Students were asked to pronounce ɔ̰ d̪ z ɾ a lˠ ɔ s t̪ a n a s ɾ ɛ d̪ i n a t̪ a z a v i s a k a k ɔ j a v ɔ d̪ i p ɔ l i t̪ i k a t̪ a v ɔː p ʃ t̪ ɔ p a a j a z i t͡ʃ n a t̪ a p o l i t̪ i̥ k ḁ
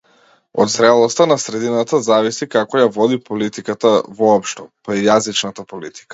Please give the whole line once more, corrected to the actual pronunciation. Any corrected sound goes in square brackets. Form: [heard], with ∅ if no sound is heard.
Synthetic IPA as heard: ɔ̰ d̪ z ɾ [ɛ] lˠ ɔ s t̪ a n a s ɾ ɛ d̪ i n a t̪ a z a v i s [i] k a k ɔ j a v ɔ d̪ i p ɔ l i t̪ i k a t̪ a v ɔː p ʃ t̪ ɔ p a [i] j a z i t͡ʃ n a t̪ a p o l i t̪ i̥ k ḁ